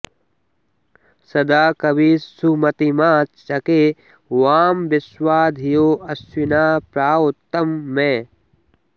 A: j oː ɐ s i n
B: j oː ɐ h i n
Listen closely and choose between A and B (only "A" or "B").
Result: A